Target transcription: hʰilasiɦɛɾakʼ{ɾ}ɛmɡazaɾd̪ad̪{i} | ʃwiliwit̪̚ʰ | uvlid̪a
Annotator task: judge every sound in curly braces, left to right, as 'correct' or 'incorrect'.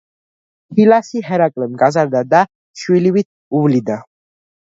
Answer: incorrect: l, incorrect: a

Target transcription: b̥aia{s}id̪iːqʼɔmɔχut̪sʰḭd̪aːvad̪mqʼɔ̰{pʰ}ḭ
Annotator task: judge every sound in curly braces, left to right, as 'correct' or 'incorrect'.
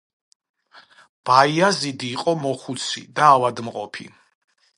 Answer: incorrect: z, correct

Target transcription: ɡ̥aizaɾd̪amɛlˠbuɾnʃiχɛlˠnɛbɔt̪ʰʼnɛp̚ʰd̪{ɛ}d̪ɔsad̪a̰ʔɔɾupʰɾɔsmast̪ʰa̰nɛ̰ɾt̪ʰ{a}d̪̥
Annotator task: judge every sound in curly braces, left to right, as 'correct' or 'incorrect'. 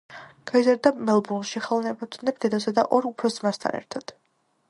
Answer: correct, correct

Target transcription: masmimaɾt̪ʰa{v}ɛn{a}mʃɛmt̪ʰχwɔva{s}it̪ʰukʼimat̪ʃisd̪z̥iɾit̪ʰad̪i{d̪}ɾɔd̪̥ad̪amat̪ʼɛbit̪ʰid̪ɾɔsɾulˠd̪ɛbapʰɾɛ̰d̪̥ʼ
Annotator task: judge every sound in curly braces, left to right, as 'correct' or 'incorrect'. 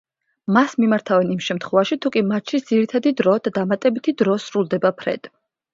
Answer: correct, incorrect: i, incorrect: ʃ, correct

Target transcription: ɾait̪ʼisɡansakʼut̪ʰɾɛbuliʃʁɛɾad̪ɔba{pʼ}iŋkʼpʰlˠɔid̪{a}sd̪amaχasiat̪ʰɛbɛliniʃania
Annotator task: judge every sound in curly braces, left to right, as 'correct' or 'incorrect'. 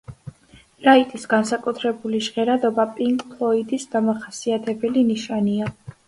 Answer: correct, incorrect: i

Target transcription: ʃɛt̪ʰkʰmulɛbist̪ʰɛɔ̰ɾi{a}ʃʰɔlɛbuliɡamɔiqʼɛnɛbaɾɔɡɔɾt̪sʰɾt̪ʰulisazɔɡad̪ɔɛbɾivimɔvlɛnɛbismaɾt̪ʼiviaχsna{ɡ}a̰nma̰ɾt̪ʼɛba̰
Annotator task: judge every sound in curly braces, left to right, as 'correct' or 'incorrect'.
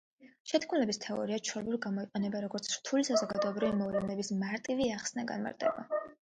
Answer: correct, correct

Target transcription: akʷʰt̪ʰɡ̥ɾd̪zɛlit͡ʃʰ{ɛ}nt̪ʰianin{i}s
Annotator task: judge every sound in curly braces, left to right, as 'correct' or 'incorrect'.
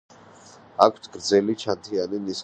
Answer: incorrect: a, correct

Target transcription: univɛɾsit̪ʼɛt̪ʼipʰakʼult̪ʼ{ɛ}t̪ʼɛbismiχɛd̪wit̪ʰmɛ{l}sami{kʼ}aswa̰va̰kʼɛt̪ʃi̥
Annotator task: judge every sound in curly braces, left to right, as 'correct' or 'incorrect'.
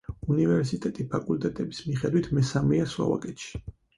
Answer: correct, incorrect: none, incorrect: none

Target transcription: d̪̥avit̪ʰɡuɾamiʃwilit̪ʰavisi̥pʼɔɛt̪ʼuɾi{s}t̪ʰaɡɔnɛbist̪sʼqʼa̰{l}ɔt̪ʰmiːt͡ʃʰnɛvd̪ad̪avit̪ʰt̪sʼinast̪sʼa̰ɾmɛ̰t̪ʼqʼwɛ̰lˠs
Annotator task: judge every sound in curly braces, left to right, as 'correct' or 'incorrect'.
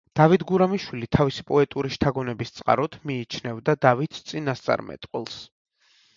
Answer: incorrect: ʃ, incorrect: ɾ

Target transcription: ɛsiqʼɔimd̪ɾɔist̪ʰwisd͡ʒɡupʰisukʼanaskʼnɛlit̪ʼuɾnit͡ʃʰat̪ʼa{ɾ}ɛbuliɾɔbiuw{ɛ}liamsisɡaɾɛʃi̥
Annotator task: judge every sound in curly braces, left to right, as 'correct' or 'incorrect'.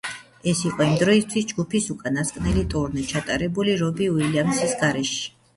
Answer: correct, incorrect: i

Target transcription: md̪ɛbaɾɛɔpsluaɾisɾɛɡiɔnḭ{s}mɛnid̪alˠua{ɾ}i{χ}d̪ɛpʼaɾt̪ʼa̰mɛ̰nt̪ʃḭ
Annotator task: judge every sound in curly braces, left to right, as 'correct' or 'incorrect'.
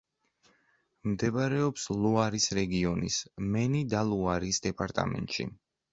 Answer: correct, correct, incorrect: s

